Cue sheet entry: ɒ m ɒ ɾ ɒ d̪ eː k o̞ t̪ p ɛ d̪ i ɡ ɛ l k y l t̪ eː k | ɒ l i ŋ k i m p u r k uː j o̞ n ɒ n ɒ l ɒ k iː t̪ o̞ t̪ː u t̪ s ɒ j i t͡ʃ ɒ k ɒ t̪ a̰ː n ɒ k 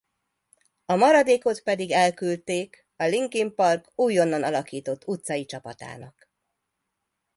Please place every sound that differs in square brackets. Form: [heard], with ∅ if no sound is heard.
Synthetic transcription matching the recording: ɒ m ɒ ɾ ɒ d̪ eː k o̞ t̪ p ɛ d̪ i ɡ ɛ l k y l t̪ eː k | ɒ l i ŋ k i m p [ɒ] r k uː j o̞ [nː] ɒ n ɒ l ɒ k iː t̪ o̞ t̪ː u t̪ s ɒ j i t͡ʃ ɒ [p] ɒ t̪ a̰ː n ɒ k